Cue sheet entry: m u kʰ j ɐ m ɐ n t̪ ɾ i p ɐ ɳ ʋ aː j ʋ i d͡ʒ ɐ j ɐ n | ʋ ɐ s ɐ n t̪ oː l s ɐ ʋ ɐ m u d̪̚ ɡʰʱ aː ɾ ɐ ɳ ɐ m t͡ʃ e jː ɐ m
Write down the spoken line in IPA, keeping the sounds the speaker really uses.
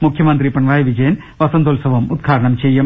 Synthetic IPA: m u kʰ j ɐ m ɐ n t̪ ɾ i p ɐ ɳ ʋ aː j ʋ i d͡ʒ ɐ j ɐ n | ʋ ɐ s ɐ n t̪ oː l s ɐ ʋ ɐ m u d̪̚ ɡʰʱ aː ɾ ɐ ɳ ɐ m t͡ʃ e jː ɐ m